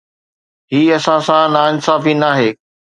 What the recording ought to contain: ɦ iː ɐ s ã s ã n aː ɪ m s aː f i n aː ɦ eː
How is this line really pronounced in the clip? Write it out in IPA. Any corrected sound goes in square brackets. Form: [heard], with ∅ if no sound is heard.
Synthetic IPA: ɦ iː ɐ s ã s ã n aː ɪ [n] s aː f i n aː ɦ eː